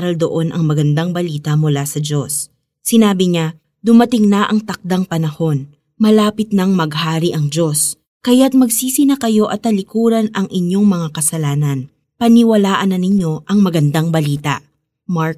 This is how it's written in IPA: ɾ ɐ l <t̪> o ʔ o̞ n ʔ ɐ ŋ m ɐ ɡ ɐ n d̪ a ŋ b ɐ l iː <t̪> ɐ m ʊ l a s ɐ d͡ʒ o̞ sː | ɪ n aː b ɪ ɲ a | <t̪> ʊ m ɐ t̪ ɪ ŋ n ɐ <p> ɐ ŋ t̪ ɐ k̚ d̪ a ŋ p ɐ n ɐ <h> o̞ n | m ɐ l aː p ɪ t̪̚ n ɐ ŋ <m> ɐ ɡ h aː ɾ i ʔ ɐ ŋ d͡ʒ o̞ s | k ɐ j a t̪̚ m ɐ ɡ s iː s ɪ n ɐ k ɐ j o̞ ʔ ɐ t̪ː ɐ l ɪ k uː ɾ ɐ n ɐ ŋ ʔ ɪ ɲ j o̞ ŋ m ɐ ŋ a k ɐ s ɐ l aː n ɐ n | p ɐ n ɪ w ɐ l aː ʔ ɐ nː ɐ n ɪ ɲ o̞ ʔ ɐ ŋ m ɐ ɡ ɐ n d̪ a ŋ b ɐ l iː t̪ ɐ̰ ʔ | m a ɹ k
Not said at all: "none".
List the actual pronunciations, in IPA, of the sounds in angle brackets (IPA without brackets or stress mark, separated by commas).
d̪, t̪, d̪, ʔ, h, m